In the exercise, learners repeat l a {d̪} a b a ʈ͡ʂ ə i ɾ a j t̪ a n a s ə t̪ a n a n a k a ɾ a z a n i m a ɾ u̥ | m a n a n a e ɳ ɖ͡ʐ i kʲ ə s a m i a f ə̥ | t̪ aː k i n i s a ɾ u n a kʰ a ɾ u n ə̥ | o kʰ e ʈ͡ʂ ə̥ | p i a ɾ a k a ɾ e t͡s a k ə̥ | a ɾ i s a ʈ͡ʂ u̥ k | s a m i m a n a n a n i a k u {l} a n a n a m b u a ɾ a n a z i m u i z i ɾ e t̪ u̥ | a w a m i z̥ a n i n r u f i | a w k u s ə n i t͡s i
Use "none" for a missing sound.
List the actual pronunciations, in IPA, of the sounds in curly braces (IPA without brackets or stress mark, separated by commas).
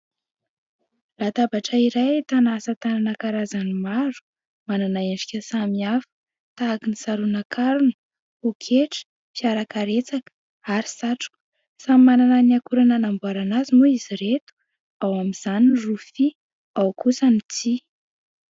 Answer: t̪, ɾ